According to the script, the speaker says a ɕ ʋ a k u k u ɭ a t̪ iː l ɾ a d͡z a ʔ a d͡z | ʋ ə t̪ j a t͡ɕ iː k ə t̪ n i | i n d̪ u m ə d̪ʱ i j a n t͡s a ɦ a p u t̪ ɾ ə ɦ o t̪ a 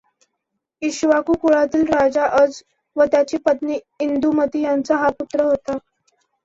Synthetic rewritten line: i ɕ ʋ a k u k u ɭ a t̪ iː l ɾ a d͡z a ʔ ə d͡z | ʋ ə t̪ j a t͡ɕ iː p ə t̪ n i | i n d̪ u m ə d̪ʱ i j a n t͡s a ɦ a p u t̪ ɾ ə ɦ o t̪ a